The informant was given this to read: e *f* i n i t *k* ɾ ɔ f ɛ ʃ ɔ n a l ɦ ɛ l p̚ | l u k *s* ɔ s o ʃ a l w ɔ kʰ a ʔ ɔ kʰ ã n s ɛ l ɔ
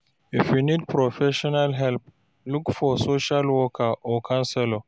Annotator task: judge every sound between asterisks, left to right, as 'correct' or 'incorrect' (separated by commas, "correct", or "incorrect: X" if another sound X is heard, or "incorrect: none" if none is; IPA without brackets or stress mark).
correct, incorrect: p, incorrect: f